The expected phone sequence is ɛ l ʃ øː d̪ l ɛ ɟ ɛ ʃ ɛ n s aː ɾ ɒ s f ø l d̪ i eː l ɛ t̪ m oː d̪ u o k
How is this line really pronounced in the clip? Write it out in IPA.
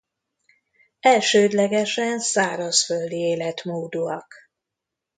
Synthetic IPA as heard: ɛ l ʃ øː d̪ l ɛ ɡ ɛ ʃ ɛ n s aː ɾ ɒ s f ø l d̪ i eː l ɛ t̪ m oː d̪ u ɒ k